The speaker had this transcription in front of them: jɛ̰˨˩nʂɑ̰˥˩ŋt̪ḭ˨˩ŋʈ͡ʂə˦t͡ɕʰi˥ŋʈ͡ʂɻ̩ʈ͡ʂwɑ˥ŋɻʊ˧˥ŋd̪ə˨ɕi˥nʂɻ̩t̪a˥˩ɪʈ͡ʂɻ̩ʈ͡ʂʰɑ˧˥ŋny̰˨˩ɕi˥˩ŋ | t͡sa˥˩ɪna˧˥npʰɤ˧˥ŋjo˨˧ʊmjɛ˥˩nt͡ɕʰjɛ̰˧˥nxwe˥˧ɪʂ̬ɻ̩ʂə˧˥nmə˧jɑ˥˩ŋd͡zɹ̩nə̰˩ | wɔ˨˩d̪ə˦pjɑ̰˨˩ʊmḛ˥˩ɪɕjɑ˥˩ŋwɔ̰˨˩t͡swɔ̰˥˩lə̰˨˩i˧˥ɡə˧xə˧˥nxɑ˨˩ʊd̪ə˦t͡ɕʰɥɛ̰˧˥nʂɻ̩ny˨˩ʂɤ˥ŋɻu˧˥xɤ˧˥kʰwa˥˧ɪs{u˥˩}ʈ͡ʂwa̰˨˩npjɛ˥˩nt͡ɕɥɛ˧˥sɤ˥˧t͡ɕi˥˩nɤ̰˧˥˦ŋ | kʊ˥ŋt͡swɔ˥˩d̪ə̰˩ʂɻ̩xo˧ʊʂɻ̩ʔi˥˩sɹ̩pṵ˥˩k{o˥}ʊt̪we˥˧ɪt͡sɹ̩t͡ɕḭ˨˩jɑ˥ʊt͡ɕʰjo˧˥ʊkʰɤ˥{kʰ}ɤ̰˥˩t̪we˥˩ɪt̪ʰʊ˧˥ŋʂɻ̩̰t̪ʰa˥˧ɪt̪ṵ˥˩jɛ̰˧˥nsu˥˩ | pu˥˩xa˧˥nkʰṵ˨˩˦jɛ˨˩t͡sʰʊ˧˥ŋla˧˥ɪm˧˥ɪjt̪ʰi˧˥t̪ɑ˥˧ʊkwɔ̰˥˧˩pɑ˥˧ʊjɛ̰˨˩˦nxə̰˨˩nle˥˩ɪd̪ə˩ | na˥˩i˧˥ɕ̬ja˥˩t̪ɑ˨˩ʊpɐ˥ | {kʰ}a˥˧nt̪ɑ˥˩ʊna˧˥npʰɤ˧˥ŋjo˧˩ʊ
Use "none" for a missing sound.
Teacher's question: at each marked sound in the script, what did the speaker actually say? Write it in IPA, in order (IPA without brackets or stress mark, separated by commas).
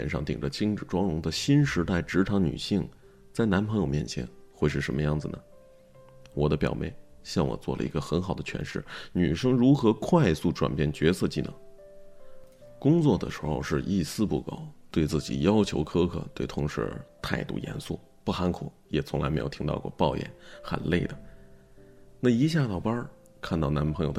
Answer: u˥˩, o˨˩, kʰ, kʰ